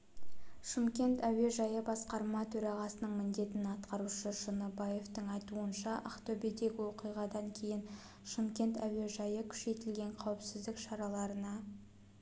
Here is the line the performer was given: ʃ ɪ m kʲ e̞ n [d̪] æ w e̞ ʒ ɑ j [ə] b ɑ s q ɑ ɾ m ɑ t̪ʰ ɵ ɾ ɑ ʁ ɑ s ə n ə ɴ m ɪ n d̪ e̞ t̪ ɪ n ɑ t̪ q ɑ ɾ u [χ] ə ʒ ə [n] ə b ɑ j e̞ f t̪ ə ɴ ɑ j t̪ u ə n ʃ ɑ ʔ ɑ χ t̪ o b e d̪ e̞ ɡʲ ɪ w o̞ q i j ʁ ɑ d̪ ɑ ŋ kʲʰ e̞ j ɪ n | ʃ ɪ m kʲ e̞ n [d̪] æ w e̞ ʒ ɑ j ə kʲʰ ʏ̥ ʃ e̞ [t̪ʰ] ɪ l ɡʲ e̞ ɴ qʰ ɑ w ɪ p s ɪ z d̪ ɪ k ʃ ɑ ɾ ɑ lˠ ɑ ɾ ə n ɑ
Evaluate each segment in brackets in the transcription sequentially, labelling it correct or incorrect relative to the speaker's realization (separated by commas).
incorrect, correct, incorrect, correct, incorrect, incorrect